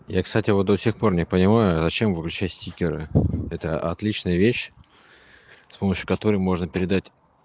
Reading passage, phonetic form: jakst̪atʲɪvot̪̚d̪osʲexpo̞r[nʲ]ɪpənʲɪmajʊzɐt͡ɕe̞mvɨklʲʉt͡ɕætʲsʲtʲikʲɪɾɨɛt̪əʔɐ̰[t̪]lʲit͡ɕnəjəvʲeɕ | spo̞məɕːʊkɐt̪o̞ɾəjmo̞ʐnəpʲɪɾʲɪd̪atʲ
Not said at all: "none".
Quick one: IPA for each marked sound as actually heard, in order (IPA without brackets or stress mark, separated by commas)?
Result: nʲ, t̪